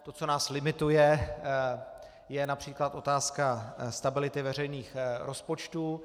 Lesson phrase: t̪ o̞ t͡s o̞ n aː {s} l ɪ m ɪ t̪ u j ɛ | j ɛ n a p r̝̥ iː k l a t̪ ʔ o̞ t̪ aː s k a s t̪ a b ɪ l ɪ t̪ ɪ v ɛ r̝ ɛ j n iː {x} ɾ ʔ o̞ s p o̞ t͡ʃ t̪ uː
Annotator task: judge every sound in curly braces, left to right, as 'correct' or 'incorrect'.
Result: correct, correct

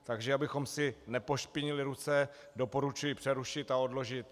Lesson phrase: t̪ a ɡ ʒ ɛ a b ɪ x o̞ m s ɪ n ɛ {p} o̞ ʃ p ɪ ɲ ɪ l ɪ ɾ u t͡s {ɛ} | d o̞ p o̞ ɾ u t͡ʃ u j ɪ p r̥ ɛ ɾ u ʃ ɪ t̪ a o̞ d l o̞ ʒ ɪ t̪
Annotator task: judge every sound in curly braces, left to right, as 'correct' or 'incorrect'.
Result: correct, correct

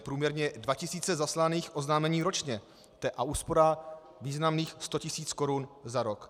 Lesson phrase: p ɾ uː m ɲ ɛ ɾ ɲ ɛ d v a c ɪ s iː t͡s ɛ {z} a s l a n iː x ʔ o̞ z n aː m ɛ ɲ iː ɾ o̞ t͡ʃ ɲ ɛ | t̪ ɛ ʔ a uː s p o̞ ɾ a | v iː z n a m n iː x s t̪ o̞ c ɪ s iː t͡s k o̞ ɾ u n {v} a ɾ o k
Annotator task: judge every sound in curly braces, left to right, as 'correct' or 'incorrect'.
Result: correct, incorrect: z

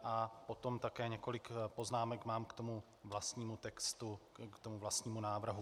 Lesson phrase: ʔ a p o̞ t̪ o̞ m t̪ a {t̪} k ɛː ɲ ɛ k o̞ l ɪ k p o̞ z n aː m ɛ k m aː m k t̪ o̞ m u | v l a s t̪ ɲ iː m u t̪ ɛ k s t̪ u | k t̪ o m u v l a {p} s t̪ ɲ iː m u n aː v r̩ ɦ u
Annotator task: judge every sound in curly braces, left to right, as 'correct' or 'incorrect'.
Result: incorrect: none, incorrect: none

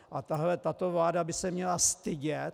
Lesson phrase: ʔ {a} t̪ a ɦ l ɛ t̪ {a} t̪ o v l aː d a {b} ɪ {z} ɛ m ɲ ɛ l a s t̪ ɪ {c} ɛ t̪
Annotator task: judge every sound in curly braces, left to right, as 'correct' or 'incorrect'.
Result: correct, correct, correct, incorrect: s, incorrect: ɟ

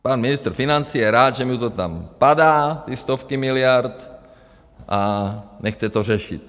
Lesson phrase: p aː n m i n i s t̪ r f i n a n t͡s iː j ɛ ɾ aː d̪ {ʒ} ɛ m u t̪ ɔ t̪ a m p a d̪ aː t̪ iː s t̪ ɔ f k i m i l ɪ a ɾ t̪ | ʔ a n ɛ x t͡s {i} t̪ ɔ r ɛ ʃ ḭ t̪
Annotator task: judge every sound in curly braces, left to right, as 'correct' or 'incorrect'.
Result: correct, incorrect: ɛ

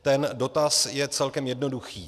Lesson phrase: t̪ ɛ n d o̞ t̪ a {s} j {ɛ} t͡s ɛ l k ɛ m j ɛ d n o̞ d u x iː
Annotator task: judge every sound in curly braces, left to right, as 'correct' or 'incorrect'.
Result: correct, correct

